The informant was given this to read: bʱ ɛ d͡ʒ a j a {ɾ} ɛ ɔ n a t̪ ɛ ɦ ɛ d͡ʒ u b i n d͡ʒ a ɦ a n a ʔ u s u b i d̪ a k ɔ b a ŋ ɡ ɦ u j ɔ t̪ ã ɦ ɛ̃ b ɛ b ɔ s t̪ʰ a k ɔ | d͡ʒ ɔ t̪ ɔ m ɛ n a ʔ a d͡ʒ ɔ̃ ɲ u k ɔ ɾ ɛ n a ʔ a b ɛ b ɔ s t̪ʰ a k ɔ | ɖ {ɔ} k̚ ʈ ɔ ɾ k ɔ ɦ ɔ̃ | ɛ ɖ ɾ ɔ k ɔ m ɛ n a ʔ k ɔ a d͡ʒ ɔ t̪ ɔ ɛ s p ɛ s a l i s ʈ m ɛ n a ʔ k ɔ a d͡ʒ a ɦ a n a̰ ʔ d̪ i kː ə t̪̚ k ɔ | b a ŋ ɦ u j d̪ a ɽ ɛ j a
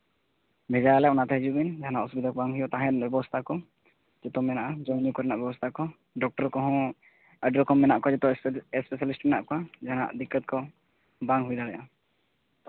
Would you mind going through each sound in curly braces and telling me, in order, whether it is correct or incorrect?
incorrect: l, correct

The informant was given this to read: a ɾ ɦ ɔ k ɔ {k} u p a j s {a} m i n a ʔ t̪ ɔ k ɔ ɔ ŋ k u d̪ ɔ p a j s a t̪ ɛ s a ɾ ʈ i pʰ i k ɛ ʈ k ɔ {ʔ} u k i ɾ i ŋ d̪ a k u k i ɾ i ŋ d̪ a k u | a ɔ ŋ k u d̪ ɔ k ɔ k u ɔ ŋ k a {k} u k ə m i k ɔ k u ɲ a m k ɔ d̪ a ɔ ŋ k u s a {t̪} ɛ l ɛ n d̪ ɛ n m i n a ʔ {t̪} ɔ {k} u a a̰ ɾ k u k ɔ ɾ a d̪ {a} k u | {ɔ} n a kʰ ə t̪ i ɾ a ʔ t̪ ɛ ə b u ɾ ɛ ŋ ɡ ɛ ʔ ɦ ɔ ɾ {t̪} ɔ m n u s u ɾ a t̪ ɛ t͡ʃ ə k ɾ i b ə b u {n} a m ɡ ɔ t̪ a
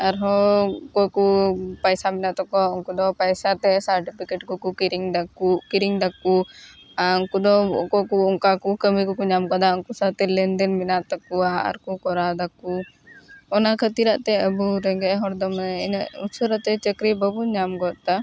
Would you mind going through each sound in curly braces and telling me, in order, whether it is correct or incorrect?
correct, correct, incorrect: k, correct, correct, correct, correct, correct, correct, incorrect: d̪, incorrect: ɲ

